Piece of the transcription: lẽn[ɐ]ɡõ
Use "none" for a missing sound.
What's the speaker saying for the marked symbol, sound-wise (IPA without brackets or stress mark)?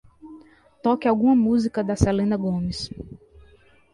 ɐ